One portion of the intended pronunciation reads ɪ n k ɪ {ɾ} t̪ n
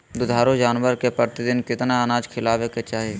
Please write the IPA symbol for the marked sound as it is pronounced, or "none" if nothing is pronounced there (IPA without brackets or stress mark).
none